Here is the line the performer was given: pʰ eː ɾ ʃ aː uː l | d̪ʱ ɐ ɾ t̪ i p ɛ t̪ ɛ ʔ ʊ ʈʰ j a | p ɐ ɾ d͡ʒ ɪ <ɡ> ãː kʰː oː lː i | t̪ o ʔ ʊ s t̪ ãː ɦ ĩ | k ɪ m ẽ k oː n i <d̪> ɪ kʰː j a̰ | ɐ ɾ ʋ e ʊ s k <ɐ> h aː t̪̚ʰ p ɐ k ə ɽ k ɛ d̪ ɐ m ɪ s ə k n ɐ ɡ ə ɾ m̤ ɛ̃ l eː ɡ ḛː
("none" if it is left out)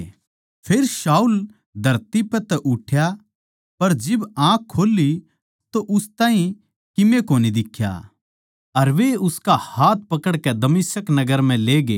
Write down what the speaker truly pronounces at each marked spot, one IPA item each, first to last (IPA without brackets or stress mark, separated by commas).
b, d̪, a